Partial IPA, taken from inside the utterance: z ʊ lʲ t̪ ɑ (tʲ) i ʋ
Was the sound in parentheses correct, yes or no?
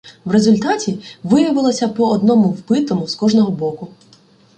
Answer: yes